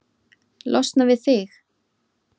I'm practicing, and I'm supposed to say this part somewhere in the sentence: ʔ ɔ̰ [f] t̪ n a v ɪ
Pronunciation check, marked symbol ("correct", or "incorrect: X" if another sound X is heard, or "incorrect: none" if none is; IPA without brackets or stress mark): incorrect: s